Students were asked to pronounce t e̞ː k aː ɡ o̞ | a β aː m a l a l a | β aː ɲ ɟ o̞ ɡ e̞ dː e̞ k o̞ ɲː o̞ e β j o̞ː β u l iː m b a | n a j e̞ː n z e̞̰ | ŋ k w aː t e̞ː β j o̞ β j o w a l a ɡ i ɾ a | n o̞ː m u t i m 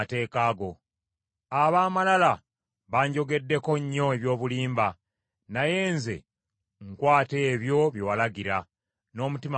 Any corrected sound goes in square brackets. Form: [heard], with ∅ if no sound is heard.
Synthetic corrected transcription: t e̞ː k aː ɡ o̞ | a β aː m a l a l a | β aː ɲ ɟ o̞ ɡ e̞ dː e̞ k o̞ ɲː o̞ e β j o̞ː β u l iː m b a | n a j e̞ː n z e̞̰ | ŋ k w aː t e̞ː β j o̞ β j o w a l a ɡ i ɾ a | n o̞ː m u t i m